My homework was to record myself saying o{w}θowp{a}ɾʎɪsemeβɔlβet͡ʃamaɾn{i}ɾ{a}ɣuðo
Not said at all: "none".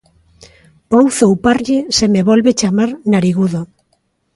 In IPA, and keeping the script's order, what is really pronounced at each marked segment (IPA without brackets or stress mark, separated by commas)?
w, a, a, i